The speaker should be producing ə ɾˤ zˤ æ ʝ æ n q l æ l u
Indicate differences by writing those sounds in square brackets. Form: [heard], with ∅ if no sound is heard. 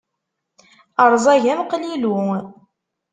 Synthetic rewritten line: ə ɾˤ zˤ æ ʝ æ [m] q l [i] l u